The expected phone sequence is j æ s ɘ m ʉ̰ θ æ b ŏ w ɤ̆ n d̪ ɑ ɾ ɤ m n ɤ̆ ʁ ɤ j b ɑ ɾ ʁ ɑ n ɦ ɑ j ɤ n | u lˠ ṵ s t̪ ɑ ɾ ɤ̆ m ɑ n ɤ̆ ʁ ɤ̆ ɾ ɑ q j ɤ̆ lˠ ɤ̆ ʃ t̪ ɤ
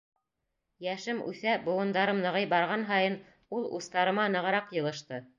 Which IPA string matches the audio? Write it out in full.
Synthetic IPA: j æ ʃ ɘ m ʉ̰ θ æ b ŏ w ɤ̆ n d̪ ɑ ɾ ɤ m n ɤ̆ ʁ ɤ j b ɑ ɾ ʁ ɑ n ɦ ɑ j ɤ n | u lˠ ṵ s t̪ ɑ ɾ ɤ̆ m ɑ n ɤ̆ ʁ ɤ̆ ɾ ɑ q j ɤ̆ lˠ ɤ̆ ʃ t̪ ɤ